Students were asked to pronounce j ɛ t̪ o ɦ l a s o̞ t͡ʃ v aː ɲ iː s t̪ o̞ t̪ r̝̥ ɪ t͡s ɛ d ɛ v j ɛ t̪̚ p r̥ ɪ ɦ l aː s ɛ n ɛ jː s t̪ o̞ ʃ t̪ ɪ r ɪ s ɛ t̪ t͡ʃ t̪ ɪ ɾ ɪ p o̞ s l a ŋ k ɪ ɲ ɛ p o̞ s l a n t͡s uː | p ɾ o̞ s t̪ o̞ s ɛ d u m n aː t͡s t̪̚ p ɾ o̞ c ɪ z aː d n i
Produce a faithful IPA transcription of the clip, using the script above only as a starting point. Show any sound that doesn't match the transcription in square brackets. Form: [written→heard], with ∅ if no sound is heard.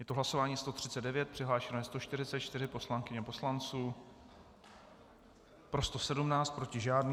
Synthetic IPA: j ɛ t̪ o ɦ l a s o̞ [t͡ʃ→∅] v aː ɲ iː s t̪ o̞ t̪ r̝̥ ɪ t͡s ɛ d ɛ v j ɛ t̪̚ p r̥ ɪ ɦ l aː [s→ʃ] ɛ n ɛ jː s t̪ o̞ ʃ t̪ ɪ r ɪ [s→t͡s] ɛ t̪ t͡ʃ t̪ ɪ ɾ ɪ p o̞ s l a ŋ k ɪ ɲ ɛ p o̞ s l a n t͡s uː | p ɾ o̞ s t̪ o̞ s ɛ d u m n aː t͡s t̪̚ p ɾ o̞ c ɪ [z→ʒ] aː d n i